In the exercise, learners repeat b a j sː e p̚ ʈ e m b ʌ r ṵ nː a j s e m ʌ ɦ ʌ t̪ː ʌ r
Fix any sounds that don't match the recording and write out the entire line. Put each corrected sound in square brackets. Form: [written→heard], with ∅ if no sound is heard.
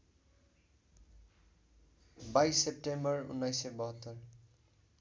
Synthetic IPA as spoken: b a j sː e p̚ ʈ e m b ʌ r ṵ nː a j s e [m→b] ʌ ɦ ʌ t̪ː ʌ r